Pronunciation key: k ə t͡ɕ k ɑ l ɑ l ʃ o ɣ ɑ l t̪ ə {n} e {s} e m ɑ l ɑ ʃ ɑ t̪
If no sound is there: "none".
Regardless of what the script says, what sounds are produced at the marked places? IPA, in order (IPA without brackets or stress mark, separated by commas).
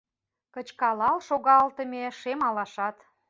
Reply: m, ʃ